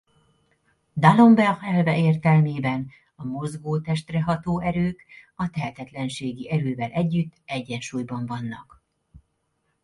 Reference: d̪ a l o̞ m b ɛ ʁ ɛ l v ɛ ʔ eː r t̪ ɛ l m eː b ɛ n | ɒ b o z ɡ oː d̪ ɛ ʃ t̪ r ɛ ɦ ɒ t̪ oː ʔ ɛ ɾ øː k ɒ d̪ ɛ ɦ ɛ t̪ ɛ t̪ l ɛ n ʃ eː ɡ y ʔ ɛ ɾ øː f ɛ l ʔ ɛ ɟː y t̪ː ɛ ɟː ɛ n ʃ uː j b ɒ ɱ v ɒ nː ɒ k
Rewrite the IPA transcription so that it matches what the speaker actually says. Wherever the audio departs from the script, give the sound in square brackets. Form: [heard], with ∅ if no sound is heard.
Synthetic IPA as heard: d̪ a l o̞ m b ɛ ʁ ɛ l v ɛ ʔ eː r t̪ ɛ l m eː b ɛ n | ɒ [m] o z ɡ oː [t̪] ɛ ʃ t̪ r ɛ ɦ ɒ t̪ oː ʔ ɛ ɾ øː k ɒ [t̪] ɛ ɦ ɛ t̪ ɛ t̪ l ɛ n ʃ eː ɡ [i] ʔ ɛ ɾ øː [v] ɛ l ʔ ɛ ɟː y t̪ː ɛ ɟː ɛ n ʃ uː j b ɒ ɱ v ɒ nː ɒ k

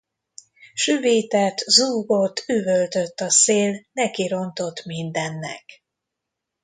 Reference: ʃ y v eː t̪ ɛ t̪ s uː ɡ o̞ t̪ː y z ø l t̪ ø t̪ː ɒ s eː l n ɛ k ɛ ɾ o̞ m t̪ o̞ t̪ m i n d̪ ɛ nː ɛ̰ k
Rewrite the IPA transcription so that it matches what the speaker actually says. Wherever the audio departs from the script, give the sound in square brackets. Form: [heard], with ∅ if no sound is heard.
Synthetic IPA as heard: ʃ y v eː t̪ ɛ t̪ [z] uː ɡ o̞ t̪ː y [v] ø l t̪ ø t̪ː ɒ s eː l n ɛ k [i] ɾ o̞ [n] t̪ o̞ t̪ m i n d̪ ɛ nː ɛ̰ k

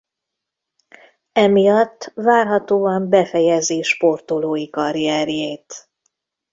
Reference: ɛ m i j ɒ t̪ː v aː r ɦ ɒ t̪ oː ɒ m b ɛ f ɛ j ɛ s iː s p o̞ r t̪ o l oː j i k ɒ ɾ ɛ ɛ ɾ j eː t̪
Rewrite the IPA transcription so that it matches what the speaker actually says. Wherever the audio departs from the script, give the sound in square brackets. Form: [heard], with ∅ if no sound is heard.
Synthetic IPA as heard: ɛ m i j ɒ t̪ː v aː r ɦ ɒ t̪ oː ɒ m b ɛ f ɛ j ɛ [z] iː [ʃ] p o̞ r t̪ o l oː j i k ɒ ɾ [i] ɛ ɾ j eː t̪

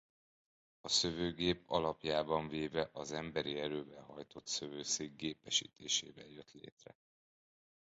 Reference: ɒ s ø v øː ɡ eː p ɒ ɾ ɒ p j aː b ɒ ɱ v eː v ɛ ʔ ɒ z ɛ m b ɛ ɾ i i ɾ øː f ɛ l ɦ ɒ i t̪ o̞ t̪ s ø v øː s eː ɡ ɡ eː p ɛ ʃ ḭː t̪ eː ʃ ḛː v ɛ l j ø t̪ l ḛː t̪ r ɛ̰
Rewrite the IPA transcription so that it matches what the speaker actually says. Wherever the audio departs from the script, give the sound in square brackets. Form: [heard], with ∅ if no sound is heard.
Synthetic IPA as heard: ɒ s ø v øː ɡ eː p ɒ [l] ɒ p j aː b ɒ ɱ v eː v ɛ ʔ ɒ z ɛ m b ɛ ɾ i [ɛ] ɾ øː [v] ɛ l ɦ ɒ [j] t̪ o̞ t̪ s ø v øː s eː ɡ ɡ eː p ɛ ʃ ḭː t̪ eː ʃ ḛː v ɛ l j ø t̪ l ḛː t̪ r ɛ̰

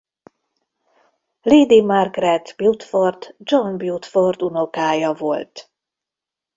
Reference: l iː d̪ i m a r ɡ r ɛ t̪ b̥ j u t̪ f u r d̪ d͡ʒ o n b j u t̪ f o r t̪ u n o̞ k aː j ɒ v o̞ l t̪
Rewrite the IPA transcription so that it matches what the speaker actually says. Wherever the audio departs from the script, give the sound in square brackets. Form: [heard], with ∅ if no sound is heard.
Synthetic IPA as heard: l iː d̪ i m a r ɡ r ɛ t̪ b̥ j u t̪ f [o] r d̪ d͡ʒ o n b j u t̪ f o r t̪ u n o̞ k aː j ɒ v o̞ l t̪

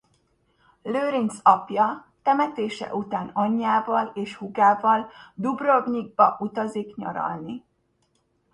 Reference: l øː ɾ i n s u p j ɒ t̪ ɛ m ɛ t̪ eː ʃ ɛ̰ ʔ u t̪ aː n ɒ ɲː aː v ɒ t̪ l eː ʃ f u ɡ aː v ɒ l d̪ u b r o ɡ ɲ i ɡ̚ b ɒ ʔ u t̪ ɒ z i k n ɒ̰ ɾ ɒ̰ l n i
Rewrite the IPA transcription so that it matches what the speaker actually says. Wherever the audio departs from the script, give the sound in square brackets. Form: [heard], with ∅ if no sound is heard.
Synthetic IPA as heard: l øː ɾ i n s [ɒ] p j ɒ t̪ ɛ m ɛ t̪ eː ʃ ɛ̰ ʔ u t̪ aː n ɒ ɲː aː v ɒ [∅] l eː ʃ [h] u ɡ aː v ɒ l d̪ u b r o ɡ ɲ i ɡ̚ b ɒ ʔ u t̪ ɒ z i k [ɲ] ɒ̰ ɾ ɒ̰ l n i

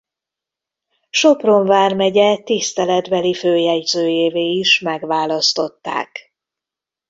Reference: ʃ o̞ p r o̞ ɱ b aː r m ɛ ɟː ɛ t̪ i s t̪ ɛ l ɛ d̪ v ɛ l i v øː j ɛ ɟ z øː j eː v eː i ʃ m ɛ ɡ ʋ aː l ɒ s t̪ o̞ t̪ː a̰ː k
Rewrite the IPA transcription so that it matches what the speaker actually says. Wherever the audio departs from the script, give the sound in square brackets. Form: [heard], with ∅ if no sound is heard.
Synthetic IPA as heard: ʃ o̞ p r o̞ ɱ [v] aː r m ɛ [ɟ] ɛ t̪ i s t̪ ɛ l ɛ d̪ [b] ɛ l i [f] øː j ɛ ɟ z øː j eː v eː i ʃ m ɛ ɡ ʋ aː l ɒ s t̪ o̞ t̪ː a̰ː k

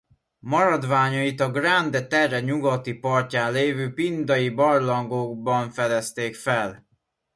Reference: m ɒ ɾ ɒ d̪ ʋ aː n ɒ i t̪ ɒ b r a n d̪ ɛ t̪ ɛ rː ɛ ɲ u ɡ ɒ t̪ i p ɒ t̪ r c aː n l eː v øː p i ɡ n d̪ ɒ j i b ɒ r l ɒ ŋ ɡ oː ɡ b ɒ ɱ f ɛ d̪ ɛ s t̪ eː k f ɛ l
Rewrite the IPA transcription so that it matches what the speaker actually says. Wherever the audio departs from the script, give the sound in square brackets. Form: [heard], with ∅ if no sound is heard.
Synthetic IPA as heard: m ɒ ɾ ɒ d̪ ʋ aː [ɲ] ɒ i t̪ ɒ [ɡ] r a n d̪ ɛ t̪ ɛ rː ɛ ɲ u ɡ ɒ t̪ i p ɒ [∅] r c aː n l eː v øː p i [∅] n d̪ ɒ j i b ɒ r l ɒ ŋ ɡ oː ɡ b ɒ ɱ f ɛ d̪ ɛ s t̪ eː k f ɛ l

